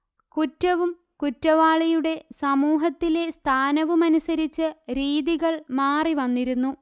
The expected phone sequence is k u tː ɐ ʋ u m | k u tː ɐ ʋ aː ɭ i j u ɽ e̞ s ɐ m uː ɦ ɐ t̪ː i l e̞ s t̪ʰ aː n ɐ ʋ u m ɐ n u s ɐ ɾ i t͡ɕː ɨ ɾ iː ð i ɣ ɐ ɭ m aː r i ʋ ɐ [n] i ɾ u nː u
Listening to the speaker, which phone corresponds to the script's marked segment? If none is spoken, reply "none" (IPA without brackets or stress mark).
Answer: nː